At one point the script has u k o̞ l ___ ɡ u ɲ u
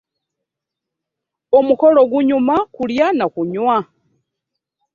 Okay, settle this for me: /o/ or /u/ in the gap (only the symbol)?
o